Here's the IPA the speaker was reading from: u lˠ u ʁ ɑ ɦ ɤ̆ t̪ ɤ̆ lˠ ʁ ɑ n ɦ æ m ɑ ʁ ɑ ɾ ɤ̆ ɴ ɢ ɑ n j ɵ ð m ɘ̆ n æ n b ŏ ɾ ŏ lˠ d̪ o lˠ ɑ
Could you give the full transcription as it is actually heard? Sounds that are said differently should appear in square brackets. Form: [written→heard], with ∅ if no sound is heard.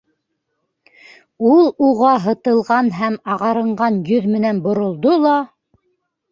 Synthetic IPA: u lˠ u ʁ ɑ ɦ ɤ̆ t̪ ɤ̆ lˠ ʁ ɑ n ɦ æ m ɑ ʁ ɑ ɾ ɤ̆ ɴ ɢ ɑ n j ɵ ð m ɘ̆ n æ n b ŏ ɾ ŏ lˠ d̪ o lˠ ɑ